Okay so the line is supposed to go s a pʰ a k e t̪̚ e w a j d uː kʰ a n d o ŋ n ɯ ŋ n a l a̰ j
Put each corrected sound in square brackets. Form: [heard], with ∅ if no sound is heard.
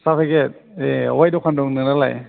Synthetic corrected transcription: s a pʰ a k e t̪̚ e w a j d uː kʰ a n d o ŋ n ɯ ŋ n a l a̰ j